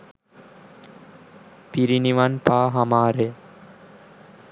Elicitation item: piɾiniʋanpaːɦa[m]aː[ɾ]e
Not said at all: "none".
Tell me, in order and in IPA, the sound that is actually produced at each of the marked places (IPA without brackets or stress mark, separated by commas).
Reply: m, ɾ